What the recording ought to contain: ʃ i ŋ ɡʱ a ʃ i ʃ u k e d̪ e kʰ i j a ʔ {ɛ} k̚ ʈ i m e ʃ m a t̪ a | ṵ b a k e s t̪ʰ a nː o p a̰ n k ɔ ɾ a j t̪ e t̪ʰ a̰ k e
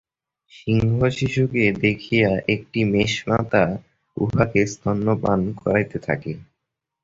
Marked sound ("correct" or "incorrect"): incorrect